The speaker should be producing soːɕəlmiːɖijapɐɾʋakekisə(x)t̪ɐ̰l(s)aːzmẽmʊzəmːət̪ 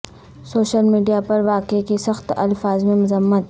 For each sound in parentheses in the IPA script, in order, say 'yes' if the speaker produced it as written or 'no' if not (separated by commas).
yes, no